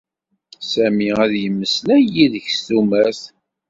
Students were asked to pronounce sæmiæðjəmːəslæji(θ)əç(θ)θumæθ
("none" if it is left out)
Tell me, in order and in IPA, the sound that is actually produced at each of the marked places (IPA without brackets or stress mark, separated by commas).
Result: ð, s